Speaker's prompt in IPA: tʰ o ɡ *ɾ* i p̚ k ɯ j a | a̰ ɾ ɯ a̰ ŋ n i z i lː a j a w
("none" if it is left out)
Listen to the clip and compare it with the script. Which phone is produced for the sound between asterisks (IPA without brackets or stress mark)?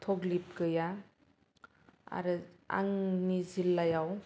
l